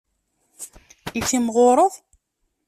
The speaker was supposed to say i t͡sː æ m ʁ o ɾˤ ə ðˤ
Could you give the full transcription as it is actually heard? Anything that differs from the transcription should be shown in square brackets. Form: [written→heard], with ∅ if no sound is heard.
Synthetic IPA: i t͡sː [æ→i] m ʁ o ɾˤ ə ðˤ